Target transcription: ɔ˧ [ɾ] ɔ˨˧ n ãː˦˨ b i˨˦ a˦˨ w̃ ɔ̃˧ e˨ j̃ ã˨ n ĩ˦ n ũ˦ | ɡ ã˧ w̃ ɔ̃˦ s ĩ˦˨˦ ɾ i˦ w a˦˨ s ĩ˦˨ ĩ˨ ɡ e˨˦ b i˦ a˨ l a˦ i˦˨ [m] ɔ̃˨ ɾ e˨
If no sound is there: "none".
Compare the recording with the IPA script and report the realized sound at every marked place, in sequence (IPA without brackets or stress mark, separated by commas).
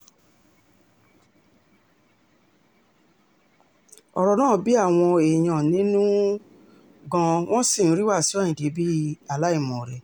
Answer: ɾ, m